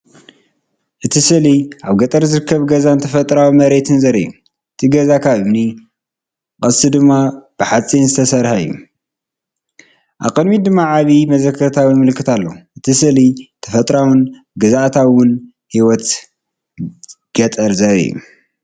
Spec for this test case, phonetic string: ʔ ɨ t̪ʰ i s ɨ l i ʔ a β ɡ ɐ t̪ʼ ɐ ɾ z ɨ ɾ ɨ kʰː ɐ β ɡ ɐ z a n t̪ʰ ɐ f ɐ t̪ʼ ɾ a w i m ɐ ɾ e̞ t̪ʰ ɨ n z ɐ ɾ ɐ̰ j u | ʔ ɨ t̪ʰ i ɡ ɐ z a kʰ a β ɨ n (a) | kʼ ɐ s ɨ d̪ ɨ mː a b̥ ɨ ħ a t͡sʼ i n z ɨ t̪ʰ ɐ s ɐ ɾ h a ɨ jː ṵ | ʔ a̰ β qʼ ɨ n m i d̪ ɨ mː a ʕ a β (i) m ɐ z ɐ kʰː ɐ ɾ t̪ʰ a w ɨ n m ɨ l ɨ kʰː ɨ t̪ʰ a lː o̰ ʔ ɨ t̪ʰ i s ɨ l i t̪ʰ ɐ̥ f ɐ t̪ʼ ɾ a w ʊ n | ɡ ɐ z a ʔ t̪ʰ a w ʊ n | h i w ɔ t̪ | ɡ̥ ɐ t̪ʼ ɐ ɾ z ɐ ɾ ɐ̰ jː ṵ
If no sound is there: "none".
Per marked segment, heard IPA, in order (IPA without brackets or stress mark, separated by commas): i, i